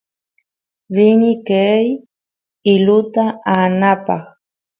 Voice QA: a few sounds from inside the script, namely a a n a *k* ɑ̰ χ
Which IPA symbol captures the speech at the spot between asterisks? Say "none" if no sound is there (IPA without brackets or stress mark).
p